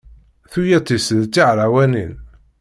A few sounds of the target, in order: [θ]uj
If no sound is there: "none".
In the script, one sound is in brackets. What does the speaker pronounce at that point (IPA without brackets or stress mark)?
θ